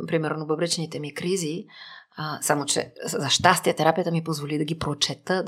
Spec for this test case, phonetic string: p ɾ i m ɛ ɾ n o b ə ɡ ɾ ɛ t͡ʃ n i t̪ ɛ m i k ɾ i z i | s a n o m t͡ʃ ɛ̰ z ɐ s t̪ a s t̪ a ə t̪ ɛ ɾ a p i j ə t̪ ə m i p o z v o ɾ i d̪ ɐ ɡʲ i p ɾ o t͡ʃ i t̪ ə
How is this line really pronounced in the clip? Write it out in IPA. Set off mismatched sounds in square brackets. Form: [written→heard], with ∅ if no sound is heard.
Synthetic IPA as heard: p ɾ i m ɛ ɾ n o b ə [ɡ→b] ɾ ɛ t͡ʃ n i t̪ ɛ m i k ɾ i z i | s a [n→m] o [m→∅] t͡ʃ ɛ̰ z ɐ [s→ʃ] t̪ a s t̪ [a→i] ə t̪ ɛ ɾ a p i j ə t̪ ə m i p o z v o [ɾ→l] i d̪ ɐ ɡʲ i p ɾ o t͡ʃ [i→ɛ] t̪ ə